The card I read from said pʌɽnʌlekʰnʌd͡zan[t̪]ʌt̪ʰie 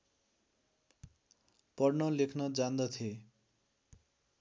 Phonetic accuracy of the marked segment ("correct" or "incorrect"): incorrect